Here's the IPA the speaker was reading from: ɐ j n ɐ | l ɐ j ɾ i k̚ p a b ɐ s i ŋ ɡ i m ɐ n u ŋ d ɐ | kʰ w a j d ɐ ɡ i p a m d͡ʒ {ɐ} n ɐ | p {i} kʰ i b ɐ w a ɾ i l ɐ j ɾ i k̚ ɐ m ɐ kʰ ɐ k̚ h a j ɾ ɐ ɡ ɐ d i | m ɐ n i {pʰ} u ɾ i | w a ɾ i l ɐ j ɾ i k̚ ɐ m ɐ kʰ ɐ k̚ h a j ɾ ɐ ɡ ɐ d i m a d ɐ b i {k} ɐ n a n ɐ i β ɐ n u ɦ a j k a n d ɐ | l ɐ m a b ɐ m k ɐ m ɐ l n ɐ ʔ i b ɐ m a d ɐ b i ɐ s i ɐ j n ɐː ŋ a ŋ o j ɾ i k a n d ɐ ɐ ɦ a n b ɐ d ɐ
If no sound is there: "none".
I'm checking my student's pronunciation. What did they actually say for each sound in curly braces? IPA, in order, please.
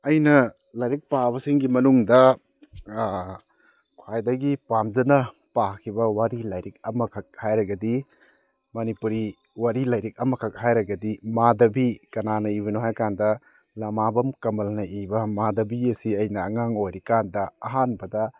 ɐ, a, p, k

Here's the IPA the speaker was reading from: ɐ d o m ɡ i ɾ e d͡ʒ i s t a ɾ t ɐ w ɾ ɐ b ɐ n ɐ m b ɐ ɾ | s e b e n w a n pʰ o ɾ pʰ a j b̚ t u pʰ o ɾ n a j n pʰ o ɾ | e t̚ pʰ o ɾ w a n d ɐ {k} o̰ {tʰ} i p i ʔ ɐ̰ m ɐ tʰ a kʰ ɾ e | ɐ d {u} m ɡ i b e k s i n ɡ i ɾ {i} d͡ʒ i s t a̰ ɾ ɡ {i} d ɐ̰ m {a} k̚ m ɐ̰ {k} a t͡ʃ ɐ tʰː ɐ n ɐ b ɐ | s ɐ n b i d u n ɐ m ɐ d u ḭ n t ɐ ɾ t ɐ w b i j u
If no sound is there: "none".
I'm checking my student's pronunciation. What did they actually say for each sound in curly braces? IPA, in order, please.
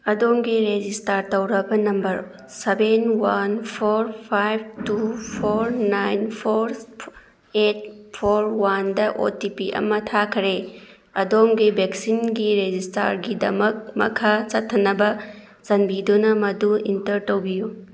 ʔ, t, o, e, i, ɐ, kʰ

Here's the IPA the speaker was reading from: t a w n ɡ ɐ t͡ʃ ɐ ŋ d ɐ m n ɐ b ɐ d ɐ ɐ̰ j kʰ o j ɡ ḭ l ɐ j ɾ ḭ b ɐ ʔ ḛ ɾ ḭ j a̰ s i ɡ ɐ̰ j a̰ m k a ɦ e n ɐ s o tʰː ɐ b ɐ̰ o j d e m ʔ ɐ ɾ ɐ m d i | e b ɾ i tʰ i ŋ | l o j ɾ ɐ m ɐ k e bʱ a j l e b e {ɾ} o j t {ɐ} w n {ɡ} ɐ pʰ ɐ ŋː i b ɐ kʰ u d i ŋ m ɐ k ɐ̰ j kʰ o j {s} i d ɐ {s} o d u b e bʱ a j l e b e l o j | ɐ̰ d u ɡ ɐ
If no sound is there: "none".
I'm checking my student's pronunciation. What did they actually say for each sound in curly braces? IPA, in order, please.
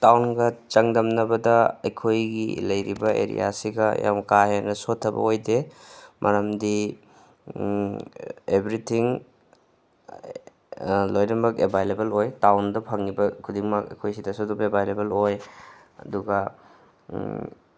l, a, d, s, s

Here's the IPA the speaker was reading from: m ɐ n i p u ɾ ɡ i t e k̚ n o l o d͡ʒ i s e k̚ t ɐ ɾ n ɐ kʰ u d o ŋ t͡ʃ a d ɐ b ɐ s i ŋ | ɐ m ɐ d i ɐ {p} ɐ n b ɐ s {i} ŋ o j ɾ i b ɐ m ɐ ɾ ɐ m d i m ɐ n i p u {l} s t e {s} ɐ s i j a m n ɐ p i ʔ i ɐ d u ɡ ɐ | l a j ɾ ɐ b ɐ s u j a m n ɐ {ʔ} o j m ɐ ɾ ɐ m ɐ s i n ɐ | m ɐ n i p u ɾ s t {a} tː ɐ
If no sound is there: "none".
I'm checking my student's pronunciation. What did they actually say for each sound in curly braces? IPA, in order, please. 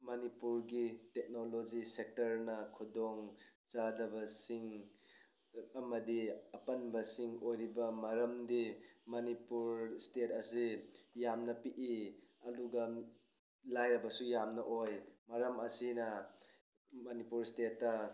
p, i, ɾ, t, ʔ, e

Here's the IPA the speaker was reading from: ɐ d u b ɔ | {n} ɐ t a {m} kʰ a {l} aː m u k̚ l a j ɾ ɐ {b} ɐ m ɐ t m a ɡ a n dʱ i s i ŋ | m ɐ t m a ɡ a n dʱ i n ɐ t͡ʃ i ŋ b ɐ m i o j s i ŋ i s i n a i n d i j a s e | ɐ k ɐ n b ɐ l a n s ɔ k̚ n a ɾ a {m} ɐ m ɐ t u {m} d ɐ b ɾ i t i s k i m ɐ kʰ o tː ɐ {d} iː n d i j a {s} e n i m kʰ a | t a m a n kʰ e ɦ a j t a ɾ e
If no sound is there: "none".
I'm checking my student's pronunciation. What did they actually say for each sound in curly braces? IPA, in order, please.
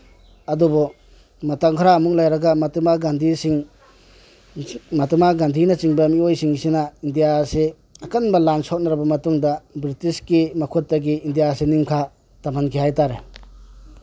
m, ŋ, ɾ, ɡ, b, ŋ, ɡ, s

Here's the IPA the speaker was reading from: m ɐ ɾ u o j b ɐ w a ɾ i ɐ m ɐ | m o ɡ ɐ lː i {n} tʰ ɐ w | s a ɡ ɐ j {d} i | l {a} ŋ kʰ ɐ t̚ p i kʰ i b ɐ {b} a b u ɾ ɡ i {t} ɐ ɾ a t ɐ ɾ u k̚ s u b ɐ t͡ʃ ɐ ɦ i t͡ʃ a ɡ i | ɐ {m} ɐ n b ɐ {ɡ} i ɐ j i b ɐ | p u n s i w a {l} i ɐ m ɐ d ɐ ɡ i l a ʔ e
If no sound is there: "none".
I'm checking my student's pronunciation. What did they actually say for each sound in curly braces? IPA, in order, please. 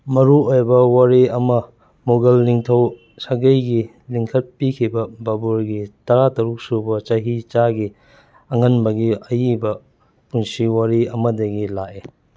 ŋ, ɡ, i, b, t, ŋ, ɡ, ɾ

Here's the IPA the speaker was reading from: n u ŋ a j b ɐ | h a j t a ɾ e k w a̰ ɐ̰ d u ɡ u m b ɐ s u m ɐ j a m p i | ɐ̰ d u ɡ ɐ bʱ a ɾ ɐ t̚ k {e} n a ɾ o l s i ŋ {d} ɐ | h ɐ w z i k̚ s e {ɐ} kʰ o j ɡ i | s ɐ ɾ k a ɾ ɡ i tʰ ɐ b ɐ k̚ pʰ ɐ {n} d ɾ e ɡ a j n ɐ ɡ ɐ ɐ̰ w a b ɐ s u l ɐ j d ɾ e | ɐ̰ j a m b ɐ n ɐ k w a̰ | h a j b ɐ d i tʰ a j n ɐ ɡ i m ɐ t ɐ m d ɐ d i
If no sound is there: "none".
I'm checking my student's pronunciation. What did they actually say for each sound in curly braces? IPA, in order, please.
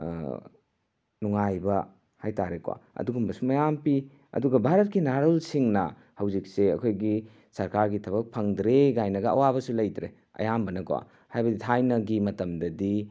i, n, ɐ, ŋ

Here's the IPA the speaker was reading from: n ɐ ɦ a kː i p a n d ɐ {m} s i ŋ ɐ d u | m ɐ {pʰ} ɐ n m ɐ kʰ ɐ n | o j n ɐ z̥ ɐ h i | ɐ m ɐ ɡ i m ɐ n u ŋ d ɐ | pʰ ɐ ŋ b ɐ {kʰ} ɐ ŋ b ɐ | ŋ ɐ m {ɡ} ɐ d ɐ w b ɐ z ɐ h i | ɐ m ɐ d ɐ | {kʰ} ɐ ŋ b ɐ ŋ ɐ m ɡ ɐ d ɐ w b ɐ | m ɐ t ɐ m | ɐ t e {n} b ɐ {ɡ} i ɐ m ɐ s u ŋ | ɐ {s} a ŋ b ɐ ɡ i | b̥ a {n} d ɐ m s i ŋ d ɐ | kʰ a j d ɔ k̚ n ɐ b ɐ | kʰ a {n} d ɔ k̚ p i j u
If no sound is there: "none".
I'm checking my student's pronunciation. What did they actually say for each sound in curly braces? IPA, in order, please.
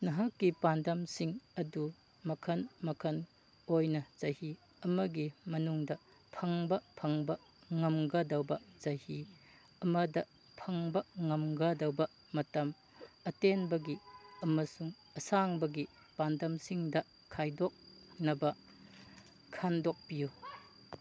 m, kʰ, pʰ, ɡ, pʰ, n, ɡ, s, n, n

